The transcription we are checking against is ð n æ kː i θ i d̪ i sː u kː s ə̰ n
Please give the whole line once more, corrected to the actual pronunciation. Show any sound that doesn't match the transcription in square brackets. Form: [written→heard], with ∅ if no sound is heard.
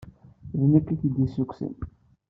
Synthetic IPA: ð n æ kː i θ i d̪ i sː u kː s ə̰ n